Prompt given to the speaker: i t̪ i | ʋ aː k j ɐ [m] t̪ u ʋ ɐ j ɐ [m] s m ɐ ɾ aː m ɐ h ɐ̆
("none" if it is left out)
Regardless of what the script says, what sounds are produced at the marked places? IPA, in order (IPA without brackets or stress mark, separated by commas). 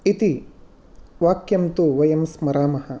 m, m